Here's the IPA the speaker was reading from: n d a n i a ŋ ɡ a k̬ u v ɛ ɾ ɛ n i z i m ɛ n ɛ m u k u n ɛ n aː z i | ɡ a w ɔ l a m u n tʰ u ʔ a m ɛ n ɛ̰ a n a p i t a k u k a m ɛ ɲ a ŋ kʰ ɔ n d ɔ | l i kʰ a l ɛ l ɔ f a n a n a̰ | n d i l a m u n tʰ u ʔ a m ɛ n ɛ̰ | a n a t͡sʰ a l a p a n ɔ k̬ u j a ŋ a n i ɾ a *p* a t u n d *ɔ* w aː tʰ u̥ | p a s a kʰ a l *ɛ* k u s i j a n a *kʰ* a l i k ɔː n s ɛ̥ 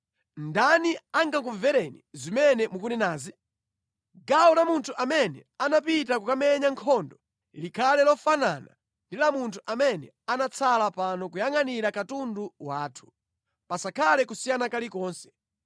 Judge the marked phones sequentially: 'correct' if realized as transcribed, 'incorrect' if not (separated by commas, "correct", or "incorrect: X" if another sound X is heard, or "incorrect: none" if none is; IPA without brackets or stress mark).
incorrect: k, incorrect: u, correct, incorrect: k